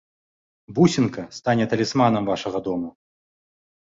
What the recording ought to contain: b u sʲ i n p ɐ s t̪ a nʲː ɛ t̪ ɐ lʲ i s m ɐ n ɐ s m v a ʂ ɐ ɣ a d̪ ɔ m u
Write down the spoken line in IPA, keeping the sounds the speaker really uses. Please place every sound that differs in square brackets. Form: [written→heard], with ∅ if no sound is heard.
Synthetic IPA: b u sʲ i n [p→k] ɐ s t̪ a [nʲː→nʲ] ɛ t̪ ɐ lʲ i s m [ɐ→a] n ɐ [s→∅] m v a ʂ ɐ ɣ [a→ɐ] d̪ ɔ m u